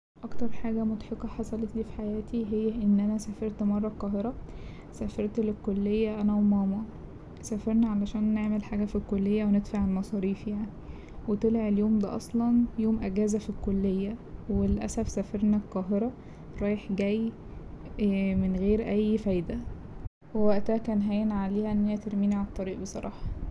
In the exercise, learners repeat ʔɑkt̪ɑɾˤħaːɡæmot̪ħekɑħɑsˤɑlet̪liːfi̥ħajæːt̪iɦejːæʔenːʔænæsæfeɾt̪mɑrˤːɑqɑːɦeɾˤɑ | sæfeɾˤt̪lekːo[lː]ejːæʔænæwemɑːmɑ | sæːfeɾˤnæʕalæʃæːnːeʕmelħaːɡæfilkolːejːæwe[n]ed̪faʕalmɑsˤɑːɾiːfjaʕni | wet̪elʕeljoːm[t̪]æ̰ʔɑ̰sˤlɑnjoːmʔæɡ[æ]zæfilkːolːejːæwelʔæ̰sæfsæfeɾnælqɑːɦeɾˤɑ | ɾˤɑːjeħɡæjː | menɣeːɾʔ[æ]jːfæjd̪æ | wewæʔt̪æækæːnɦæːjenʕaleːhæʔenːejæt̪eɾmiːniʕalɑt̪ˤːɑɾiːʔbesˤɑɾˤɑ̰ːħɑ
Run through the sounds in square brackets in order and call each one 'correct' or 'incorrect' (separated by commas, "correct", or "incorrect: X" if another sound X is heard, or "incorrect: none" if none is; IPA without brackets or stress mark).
correct, correct, incorrect: d̪, incorrect: æː, correct